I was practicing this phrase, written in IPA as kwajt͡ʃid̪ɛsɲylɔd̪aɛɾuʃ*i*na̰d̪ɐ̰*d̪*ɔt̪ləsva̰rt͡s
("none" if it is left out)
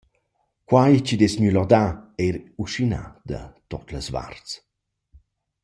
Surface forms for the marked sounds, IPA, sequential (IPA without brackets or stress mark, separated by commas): i, t̪